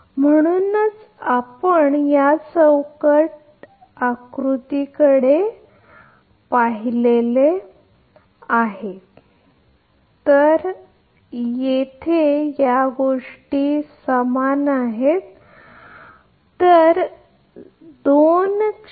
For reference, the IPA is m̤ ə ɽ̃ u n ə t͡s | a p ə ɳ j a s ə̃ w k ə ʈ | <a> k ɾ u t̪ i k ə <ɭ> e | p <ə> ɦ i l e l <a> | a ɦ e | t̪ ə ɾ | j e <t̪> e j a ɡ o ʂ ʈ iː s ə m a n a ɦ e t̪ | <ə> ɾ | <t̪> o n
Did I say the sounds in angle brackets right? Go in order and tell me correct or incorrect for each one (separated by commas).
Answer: correct, incorrect, incorrect, incorrect, incorrect, correct, incorrect